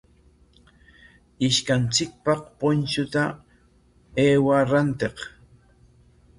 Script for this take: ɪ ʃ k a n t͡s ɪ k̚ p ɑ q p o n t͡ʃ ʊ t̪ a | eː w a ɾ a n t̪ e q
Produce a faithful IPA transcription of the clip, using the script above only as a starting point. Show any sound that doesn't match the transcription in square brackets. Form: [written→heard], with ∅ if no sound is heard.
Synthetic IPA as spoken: ɪ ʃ k a n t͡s ɪ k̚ p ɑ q p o n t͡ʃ ʊ t̪ a | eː w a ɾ a n t̪ e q